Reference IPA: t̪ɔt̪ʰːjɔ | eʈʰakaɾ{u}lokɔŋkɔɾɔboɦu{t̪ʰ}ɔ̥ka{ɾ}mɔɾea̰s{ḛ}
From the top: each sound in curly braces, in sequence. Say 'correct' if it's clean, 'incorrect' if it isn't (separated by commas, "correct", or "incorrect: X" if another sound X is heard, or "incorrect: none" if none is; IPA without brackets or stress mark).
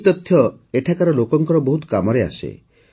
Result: incorrect: ɔ, incorrect: t̪, incorrect: none, correct